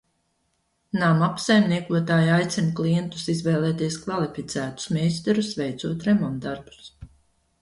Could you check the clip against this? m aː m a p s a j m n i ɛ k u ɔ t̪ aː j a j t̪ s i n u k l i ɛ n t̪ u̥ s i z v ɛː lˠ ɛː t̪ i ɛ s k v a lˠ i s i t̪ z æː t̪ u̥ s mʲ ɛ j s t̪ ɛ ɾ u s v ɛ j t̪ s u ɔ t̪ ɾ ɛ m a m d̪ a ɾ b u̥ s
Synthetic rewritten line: n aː m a p s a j m n i ɛ k u ɔ t̪ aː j a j t̪ s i n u k l i ɛ n t̪ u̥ s i z v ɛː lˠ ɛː t̪ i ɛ s k v a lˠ i f i t̪ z æː t̪ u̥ s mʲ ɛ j s t̪ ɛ ɾ u s v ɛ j t̪ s u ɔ t̪ ɾ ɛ m a m d̪ a ɾ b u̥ s